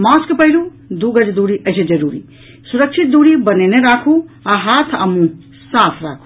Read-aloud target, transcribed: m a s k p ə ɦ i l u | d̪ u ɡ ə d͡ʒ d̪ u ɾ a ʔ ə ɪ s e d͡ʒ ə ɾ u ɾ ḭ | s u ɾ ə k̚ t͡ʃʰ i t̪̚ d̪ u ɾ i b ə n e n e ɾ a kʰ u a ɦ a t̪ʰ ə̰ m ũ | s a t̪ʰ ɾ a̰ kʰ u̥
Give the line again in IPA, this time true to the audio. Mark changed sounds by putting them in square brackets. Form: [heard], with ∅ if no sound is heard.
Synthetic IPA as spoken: m a s k p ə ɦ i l u | d̪ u ɡ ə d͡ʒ d̪ u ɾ [i] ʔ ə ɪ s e d͡ʒ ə ɾ u ɾ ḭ | s u ɾ ə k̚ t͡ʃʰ i t̪̚ d̪ u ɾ i b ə n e n e ɾ a kʰ u a ɦ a t̪ʰ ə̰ m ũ | s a t̪ʰ ɾ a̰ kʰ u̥